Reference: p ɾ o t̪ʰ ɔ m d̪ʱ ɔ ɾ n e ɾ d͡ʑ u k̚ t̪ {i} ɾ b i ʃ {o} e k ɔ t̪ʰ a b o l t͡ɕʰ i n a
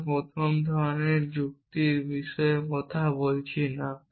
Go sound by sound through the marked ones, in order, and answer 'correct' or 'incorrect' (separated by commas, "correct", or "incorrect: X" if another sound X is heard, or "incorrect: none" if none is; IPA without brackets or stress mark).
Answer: correct, incorrect: ɔ